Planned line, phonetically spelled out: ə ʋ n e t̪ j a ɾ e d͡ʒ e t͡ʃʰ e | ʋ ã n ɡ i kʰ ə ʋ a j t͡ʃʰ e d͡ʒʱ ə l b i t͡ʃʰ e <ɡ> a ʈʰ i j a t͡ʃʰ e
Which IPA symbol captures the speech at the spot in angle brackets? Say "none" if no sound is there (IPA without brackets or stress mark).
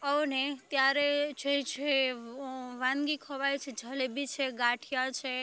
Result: ɡ